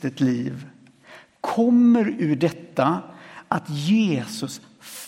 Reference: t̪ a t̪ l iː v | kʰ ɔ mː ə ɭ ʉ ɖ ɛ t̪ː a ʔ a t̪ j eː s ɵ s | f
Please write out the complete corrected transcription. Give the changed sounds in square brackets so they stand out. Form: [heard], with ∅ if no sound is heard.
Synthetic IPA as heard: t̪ [ə] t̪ l iː v | kʰ ɔ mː ə [ɾ] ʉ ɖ ɛ t̪ː a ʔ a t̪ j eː s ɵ s | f